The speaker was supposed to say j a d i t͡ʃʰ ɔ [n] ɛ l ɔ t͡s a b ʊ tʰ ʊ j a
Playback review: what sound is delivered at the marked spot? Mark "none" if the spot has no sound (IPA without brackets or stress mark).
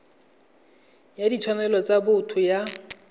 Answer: n